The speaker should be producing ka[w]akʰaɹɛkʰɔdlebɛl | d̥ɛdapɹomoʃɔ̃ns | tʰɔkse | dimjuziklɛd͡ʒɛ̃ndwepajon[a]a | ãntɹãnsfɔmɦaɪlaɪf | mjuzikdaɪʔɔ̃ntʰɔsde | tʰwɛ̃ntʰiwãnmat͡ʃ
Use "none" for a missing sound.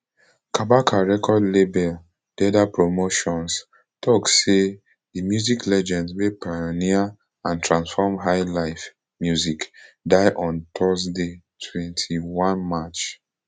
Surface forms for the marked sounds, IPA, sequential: b, i

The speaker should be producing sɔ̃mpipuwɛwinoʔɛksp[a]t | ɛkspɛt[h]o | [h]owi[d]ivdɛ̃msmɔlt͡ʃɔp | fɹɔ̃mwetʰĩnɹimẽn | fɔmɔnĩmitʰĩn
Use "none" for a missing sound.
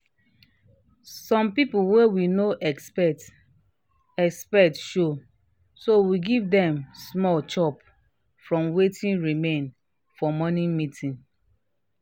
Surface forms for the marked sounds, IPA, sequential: ɛ, ʃ, s, ɡ

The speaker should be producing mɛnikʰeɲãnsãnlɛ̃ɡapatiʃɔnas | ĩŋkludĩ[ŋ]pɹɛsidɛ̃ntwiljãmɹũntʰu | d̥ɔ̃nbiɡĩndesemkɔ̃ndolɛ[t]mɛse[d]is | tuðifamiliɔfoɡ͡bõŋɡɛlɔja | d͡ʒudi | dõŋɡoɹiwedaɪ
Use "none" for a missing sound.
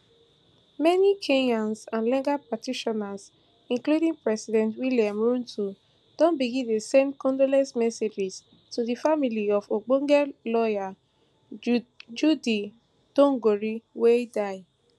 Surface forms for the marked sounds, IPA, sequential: ŋ, s, d͡ʒ

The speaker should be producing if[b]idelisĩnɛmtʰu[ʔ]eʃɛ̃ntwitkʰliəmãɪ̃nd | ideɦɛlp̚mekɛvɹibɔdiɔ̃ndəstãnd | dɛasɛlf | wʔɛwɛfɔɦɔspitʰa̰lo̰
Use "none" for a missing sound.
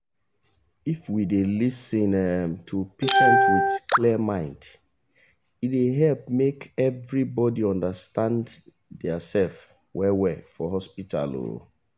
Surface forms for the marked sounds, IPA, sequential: w, p

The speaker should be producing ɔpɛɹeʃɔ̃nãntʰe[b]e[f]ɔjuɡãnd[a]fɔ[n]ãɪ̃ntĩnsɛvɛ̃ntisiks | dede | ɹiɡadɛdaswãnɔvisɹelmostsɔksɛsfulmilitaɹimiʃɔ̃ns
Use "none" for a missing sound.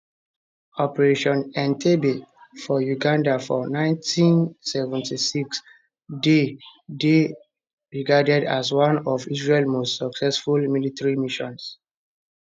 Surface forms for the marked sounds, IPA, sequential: b, f, a, n

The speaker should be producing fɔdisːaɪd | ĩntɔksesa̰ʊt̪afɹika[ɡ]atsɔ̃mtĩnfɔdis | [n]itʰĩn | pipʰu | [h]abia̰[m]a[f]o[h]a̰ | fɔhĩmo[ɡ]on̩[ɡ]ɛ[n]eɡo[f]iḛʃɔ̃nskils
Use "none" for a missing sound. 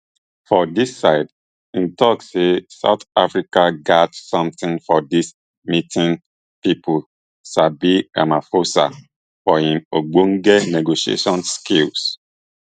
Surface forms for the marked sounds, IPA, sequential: ɡ, m, s, m, f, s, ɡ͡b, ɡ, n, ʃ

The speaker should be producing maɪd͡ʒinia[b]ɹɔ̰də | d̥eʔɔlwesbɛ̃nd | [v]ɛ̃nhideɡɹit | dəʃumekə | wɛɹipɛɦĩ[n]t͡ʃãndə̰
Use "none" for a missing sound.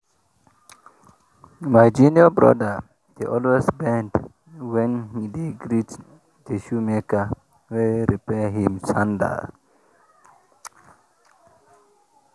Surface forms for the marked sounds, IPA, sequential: b, w, m

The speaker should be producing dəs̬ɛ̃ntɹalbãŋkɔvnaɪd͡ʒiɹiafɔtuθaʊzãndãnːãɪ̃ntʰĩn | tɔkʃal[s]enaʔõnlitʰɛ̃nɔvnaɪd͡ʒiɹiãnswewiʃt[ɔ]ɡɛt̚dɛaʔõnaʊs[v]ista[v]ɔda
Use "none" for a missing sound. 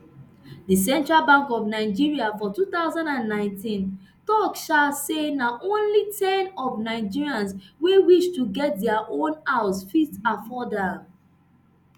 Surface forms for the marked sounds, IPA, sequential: s, u, f, f

